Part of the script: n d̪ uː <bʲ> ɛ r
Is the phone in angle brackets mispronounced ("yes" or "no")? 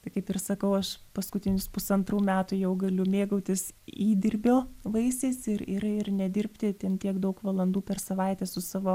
yes